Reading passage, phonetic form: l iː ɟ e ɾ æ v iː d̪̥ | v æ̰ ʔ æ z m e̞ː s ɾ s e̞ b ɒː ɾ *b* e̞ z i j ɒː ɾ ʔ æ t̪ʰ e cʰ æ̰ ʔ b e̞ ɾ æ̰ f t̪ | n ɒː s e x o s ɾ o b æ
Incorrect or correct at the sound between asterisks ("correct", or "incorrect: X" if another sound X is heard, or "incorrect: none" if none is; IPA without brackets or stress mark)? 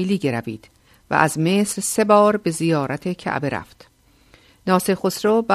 correct